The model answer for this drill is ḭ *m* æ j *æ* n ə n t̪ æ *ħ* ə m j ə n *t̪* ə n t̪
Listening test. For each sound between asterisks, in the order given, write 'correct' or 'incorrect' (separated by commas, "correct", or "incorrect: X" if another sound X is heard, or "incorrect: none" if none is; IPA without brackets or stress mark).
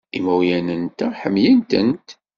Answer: correct, correct, correct, correct